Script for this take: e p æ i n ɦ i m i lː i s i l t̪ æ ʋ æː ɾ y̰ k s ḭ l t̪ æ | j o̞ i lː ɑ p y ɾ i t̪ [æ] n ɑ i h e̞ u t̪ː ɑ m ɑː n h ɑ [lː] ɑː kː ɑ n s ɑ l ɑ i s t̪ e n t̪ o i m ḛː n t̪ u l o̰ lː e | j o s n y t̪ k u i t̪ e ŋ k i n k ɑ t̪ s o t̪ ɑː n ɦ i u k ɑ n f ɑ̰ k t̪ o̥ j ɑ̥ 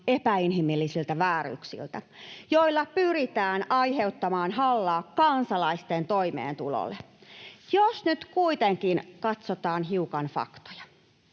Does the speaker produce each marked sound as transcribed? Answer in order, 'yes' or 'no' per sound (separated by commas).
no, yes